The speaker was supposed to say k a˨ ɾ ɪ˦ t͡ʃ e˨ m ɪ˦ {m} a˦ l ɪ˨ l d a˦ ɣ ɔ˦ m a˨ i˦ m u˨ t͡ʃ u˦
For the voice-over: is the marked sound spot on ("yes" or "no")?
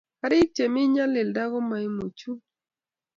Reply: no